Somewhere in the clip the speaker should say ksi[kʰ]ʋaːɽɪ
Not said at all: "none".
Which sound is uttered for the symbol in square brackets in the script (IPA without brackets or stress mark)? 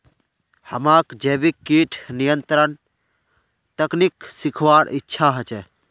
kʰ